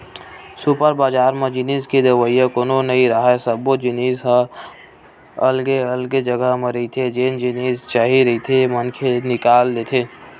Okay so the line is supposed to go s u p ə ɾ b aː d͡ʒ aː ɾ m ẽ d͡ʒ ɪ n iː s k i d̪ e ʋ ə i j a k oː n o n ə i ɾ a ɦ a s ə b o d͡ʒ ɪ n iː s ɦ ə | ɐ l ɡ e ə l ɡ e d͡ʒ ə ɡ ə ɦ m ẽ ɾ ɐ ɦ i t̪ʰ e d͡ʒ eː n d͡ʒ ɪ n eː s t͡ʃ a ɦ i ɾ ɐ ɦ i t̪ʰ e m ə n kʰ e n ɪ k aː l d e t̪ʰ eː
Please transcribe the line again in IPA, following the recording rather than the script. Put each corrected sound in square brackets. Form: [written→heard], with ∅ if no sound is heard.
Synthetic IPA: s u p ə ɾ b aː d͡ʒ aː ɾ m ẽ d͡ʒ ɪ n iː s k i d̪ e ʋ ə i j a k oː n o n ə i ɾ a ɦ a s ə b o d͡ʒ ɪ n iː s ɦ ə | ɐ l ɡ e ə l ɡ e d͡ʒ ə ɡ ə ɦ m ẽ ɾ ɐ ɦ i t̪ʰ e d͡ʒ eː n d͡ʒ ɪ n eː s t͡ʃ a ɦ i ɾ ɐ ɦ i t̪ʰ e m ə n kʰ e n ɪ k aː l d e t̪ʰ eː